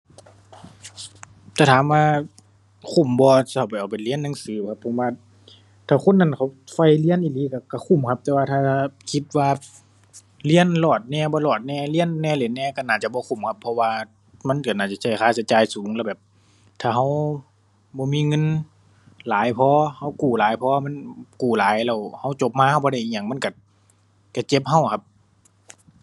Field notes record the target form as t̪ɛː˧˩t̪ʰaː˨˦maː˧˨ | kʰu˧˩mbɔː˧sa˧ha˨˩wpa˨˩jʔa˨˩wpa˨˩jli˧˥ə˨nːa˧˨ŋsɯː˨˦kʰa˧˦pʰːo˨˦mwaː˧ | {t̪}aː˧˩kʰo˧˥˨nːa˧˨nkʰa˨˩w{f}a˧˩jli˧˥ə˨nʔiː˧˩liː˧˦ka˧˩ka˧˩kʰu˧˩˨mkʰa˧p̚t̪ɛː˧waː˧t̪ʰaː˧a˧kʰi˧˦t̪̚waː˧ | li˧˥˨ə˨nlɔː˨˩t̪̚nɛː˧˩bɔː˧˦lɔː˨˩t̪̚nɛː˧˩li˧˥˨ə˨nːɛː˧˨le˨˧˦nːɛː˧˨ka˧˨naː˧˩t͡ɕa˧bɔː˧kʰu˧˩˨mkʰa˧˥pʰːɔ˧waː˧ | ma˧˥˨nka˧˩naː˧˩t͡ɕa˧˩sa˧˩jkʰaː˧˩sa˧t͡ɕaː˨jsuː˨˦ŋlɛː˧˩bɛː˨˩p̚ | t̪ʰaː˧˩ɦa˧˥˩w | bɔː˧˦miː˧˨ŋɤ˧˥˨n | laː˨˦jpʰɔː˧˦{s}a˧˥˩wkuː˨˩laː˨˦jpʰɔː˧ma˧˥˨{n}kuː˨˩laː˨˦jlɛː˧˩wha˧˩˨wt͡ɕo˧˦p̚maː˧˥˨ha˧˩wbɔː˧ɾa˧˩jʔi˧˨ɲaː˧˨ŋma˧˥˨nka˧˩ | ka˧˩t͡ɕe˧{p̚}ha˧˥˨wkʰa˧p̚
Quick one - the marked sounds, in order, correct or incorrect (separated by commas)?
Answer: incorrect, correct, incorrect, correct, correct